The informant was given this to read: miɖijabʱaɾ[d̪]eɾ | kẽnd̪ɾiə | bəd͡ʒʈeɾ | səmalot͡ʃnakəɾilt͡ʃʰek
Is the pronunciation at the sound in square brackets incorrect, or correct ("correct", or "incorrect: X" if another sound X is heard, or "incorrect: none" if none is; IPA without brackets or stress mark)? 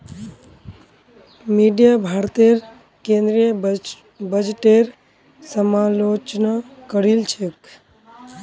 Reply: incorrect: t̪